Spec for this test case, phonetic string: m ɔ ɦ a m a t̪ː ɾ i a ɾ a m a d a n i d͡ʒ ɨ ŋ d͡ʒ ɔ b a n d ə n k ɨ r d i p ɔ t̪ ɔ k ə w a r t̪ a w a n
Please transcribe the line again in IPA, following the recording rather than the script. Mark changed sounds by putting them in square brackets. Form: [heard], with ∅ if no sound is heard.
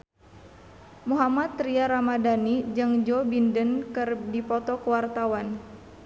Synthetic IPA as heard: m [u] ɦ a m a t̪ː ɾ i a ɾ a m a d a n i d͡ʒ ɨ ŋ d͡ʒ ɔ b [i] n d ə n k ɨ r d i p ɔ t̪ ɔ k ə w a r t̪ a w a n